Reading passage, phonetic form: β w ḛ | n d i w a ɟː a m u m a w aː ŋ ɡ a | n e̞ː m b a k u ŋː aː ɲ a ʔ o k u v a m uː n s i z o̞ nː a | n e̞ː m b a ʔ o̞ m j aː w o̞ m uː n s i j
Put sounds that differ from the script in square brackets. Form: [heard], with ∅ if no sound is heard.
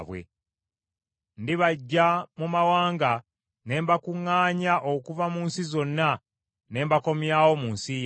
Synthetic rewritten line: β w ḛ | n d i [β] a ɟː a m u m a w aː ŋ ɡ a | n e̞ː m b a k u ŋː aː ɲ a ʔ o k u v a m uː n s i z o̞ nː a | n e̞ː m b a [k] o̞ m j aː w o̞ m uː n s i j